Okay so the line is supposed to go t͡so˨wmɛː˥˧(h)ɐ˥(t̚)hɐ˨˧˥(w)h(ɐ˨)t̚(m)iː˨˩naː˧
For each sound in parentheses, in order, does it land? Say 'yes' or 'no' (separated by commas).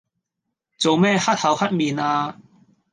yes, yes, yes, no, yes